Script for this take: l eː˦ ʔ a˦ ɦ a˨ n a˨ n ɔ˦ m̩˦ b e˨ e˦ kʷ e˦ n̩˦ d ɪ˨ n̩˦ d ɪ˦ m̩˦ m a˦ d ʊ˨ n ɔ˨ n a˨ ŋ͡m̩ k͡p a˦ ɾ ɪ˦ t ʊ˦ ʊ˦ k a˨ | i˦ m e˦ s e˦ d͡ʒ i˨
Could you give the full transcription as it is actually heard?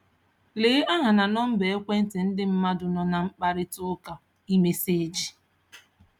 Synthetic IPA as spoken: l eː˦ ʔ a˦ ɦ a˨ n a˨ n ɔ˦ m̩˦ b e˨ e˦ kʷ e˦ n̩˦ t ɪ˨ n̩˦ d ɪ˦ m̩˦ m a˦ d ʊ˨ n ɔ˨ n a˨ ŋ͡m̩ k͡p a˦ ɾ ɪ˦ t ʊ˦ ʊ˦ k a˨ | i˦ m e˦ s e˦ d͡ʒ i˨